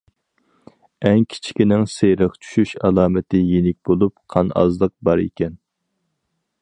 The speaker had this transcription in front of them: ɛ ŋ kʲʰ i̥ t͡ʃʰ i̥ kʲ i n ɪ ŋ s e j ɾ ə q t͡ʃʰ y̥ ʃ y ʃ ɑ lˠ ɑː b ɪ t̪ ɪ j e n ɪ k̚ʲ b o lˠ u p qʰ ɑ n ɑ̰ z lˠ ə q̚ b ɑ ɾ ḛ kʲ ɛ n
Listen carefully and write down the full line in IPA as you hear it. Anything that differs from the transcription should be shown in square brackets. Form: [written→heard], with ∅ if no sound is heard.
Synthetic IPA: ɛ ŋ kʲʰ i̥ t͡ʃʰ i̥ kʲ i n ɪ ŋ s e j ɾ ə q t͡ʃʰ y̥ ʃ y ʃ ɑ lˠ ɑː [b→m] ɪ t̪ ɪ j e n ɪ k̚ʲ b o lˠ u p qʰ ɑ n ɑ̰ z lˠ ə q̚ b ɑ ɾ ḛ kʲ ɛ n